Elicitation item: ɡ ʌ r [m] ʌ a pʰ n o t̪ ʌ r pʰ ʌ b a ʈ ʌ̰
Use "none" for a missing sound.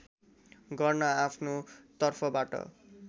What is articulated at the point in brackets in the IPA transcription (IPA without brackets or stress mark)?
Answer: n